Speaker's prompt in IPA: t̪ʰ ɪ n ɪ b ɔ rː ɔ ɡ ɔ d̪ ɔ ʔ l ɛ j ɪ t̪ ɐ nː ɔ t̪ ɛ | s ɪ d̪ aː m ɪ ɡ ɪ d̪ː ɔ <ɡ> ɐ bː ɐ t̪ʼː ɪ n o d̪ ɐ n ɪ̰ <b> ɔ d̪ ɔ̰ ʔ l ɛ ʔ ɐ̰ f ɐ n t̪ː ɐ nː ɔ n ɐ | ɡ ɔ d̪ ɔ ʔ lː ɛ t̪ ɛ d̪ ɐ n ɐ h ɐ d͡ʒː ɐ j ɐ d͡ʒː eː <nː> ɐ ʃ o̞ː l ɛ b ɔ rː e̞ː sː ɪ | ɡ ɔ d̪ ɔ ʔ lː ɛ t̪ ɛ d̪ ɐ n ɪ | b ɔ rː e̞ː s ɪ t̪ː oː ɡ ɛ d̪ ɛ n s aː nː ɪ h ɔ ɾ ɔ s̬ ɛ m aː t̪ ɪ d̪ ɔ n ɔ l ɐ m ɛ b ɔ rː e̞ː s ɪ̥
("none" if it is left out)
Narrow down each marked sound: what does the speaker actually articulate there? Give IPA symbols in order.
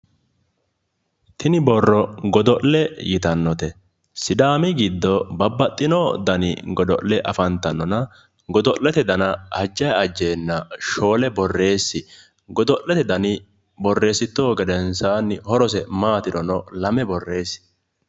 b, ɡ, nː

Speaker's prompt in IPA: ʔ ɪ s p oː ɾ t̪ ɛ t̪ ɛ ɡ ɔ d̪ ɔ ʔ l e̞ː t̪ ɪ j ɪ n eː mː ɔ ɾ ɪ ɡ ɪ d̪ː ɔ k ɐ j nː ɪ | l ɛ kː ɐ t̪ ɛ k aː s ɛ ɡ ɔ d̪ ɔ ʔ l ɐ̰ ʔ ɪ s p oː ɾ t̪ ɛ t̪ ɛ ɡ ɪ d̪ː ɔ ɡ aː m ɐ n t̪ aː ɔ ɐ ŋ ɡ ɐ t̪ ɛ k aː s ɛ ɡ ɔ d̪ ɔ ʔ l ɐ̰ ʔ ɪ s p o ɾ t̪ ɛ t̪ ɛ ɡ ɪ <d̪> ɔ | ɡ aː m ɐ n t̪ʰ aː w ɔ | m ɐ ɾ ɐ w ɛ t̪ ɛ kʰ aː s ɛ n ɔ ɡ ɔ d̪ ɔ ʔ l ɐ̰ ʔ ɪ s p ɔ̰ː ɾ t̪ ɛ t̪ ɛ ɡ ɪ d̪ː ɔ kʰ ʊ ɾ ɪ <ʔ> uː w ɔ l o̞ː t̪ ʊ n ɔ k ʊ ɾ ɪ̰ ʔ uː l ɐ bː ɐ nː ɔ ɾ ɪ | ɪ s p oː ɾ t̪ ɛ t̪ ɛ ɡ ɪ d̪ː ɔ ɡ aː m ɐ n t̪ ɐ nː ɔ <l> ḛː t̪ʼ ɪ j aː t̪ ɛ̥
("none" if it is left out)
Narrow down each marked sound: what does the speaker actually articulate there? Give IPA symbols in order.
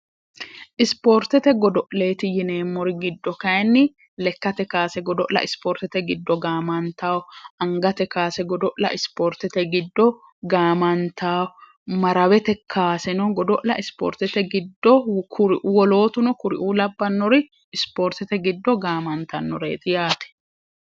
d̪ː, ʔ, ɾ

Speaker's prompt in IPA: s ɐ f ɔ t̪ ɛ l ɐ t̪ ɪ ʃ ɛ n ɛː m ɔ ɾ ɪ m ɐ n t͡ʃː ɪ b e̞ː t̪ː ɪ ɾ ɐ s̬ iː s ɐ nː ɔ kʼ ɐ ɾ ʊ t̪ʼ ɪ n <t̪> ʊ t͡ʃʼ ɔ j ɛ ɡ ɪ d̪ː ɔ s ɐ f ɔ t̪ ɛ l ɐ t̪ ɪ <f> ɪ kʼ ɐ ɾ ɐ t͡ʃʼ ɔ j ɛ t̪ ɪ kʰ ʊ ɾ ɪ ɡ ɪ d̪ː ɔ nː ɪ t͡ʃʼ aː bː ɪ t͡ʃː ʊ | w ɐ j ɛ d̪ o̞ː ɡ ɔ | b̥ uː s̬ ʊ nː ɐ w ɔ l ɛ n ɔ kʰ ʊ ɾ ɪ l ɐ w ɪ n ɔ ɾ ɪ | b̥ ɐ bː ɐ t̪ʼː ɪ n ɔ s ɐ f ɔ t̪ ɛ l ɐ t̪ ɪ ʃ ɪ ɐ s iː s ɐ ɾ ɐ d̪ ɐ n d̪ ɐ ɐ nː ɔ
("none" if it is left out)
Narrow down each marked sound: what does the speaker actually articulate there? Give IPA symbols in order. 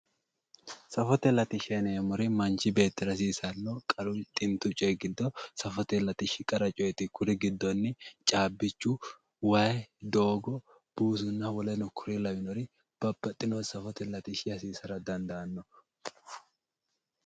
t̪, ʃ

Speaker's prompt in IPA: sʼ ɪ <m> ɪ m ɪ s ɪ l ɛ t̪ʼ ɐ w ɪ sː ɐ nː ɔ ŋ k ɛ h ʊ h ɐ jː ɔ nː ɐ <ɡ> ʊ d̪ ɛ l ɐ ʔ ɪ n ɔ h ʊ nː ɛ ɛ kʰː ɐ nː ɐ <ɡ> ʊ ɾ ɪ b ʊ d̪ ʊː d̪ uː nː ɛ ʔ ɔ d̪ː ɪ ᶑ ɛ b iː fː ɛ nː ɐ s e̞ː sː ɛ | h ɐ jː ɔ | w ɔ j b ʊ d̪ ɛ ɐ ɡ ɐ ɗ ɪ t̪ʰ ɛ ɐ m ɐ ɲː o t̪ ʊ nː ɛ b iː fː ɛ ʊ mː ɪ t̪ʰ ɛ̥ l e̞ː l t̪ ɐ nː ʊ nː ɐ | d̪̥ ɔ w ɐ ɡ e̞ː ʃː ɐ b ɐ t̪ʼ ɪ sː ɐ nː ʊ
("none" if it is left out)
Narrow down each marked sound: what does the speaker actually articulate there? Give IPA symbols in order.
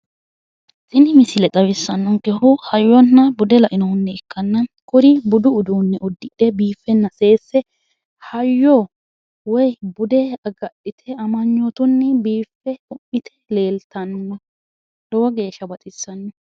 n, b, k

